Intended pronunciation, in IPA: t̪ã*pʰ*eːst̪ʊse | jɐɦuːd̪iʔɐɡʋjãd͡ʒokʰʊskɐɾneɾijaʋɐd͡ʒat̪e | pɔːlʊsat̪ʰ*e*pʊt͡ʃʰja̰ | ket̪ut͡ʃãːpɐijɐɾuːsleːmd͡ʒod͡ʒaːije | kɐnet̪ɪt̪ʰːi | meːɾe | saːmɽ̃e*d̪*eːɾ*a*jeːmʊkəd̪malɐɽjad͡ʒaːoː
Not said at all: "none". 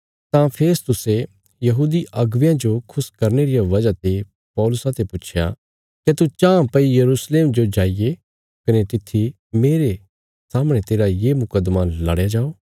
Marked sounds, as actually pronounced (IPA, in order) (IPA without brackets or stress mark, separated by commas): pʰ, e, t̪, a